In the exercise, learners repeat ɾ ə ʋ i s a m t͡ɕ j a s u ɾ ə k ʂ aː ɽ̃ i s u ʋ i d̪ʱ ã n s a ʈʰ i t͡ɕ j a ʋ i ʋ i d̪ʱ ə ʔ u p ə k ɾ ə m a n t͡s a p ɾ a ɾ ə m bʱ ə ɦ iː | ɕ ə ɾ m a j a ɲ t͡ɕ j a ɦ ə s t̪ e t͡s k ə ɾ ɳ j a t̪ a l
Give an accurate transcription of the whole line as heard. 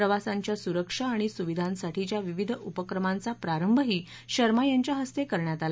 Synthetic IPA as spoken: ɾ ə ʋ a s a ɲ t͡ɕ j a s u ɾ ə k ʂ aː ɽ̃ i s u ʋ i d̪ʱ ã n s a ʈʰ i t͡ɕ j a ʋ i ʋ i d̪ʱ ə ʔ u p ə k ɾ ə m a n t͡s a p ɾ a ɾ ə m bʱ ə ɦ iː | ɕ ə ɾ m a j a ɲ t͡ɕ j a ɦ ə s t̪ e k ə ɾ ɳ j a t̪ a l